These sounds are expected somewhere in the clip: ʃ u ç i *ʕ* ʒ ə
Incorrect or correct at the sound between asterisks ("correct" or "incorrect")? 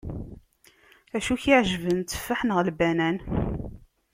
correct